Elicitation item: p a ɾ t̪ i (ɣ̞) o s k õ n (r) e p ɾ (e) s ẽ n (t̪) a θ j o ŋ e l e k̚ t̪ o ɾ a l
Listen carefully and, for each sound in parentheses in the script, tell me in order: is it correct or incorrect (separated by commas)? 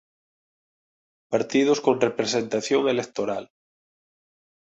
incorrect, correct, correct, correct